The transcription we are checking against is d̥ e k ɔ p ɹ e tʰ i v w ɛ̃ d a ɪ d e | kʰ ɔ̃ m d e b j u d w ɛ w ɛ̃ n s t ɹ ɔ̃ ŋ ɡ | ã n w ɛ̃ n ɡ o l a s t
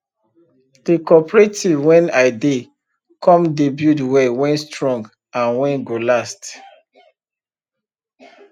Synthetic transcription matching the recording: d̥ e k ɔ p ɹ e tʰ i v w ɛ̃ n a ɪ d e | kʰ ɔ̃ m d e b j u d w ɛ w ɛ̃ n s t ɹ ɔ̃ ŋ ɡ | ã n w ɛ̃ n ɡ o l a s t